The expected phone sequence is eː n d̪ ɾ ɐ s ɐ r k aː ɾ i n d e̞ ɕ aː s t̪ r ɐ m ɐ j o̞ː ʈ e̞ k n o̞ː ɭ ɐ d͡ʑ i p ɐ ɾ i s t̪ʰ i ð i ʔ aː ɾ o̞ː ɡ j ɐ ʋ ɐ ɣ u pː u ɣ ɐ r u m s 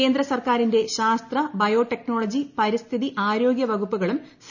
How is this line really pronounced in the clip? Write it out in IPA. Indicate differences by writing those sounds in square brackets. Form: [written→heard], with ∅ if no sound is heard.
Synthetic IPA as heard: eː n d̪ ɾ ɐ s ɐ r k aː ɾ i n d e̞ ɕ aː s t̪ r ɐ [m→b] ɐ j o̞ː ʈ e̞ k n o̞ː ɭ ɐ d͡ʑ i p ɐ ɾ i s t̪ʰ i ð i ʔ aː ɾ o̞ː ɡ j ɐ ʋ ɐ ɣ u pː u ɣ ɐ [r→ɭ] u m s